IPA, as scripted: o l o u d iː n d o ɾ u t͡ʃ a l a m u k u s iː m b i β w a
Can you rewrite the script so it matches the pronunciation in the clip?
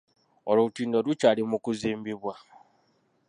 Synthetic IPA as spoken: o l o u t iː n d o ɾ u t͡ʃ a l i m u k u z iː m b i β w a